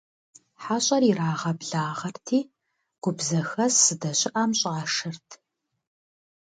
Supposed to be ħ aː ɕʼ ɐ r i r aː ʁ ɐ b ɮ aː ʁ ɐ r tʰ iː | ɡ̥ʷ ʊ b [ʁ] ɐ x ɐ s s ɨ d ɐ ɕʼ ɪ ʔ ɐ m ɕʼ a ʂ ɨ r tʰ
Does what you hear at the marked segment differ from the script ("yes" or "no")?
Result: yes